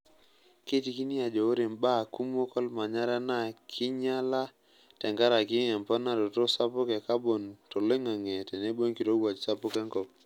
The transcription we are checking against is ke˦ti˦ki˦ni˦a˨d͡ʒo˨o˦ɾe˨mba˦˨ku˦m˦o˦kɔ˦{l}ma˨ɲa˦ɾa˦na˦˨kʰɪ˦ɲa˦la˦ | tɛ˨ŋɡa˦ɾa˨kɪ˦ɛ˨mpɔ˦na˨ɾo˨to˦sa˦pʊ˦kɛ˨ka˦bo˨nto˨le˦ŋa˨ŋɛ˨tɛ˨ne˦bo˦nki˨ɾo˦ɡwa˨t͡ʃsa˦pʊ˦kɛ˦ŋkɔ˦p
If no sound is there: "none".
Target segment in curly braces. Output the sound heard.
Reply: l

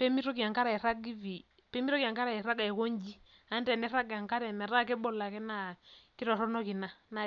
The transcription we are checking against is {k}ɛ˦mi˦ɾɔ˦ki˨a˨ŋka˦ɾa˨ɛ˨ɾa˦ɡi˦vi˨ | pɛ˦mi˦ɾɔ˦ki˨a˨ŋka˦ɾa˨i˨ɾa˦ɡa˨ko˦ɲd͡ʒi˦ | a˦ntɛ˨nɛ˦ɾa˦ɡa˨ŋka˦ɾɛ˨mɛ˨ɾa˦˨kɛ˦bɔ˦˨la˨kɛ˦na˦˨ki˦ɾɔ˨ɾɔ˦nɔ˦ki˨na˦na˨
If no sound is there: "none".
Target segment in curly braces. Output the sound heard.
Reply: p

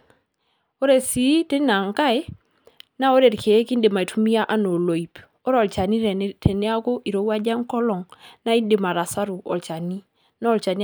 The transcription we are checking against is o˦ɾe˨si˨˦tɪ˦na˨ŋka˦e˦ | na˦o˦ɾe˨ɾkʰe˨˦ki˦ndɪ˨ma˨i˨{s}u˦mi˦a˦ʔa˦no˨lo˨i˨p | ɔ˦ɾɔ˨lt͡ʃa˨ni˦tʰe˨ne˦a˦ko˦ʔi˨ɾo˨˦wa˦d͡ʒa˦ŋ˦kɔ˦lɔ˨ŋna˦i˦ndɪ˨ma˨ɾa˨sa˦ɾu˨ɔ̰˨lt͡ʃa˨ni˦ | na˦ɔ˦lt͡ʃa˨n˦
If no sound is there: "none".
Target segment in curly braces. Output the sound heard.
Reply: t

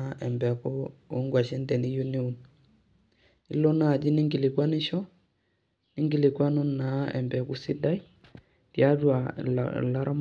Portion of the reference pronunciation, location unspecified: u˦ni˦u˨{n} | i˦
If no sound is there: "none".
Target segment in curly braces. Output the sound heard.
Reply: n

